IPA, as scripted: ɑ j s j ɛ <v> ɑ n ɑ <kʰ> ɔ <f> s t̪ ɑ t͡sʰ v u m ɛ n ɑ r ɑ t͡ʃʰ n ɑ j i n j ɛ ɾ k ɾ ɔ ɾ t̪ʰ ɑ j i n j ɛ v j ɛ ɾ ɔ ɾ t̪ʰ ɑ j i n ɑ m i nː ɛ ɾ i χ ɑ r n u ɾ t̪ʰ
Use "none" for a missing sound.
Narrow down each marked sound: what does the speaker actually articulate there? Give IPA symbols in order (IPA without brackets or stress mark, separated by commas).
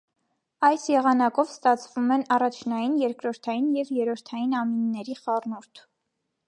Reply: ʁ, k, v